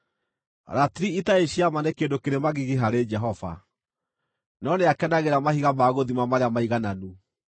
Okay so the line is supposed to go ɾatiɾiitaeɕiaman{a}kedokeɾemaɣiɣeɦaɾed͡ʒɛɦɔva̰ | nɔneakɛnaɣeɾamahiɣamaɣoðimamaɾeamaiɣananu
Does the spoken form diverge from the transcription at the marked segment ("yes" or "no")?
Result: yes